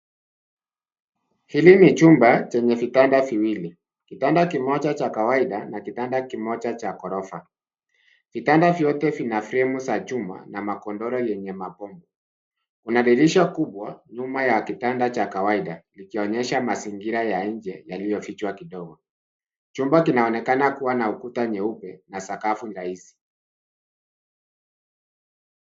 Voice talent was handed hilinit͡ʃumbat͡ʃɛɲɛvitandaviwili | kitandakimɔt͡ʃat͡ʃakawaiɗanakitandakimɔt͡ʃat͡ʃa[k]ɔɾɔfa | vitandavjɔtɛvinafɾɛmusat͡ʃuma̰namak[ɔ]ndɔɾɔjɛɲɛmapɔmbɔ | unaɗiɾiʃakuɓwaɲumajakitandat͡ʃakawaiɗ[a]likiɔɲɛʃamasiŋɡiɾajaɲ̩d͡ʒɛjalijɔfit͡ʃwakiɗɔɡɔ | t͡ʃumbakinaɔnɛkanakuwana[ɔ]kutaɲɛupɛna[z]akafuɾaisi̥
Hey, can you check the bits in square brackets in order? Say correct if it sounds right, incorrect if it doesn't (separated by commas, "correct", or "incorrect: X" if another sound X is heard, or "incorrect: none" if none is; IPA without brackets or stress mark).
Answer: correct, correct, correct, incorrect: u, incorrect: s